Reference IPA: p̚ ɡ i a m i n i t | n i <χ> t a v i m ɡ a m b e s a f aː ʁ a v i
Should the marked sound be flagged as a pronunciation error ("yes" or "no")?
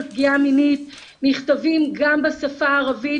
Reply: no